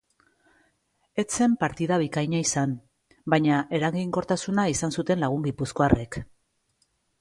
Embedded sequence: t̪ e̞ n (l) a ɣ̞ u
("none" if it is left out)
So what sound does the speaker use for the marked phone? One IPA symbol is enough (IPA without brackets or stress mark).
l